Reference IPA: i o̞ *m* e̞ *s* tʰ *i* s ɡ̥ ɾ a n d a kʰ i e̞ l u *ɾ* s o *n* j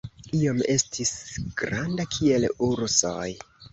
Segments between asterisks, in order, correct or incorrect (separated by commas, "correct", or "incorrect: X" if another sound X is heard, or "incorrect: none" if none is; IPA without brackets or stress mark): correct, correct, correct, correct, incorrect: none